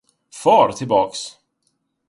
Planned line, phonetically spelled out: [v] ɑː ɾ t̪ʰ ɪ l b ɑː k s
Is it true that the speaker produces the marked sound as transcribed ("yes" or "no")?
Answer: no